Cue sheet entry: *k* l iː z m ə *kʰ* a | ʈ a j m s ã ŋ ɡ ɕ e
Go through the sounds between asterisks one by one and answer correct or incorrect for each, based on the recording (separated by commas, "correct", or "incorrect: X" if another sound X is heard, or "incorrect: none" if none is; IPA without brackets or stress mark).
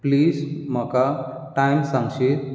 incorrect: p, incorrect: k